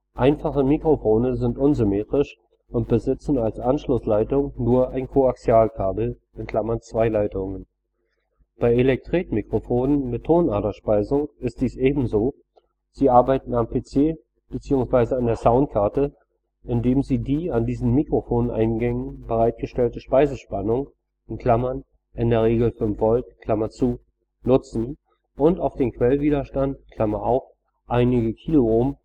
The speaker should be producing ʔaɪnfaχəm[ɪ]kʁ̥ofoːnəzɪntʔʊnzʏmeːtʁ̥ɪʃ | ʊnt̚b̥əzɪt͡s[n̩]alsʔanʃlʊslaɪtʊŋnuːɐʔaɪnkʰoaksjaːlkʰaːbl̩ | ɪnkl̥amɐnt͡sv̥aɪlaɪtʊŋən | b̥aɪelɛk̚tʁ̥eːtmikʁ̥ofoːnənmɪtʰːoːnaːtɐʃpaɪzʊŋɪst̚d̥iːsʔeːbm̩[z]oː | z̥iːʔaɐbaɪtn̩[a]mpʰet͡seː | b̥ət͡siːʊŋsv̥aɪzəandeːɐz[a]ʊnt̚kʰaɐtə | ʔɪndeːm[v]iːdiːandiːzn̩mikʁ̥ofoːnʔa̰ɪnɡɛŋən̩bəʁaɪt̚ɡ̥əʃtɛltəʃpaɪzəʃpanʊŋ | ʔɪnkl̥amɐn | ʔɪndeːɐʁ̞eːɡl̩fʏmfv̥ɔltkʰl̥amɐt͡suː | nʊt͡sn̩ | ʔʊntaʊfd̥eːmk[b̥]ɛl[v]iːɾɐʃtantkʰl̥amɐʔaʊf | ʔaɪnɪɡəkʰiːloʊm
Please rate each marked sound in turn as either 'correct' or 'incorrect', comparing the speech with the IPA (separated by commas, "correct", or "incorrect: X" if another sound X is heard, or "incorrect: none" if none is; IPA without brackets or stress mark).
incorrect: i, correct, correct, correct, correct, incorrect: z, incorrect: v̥, correct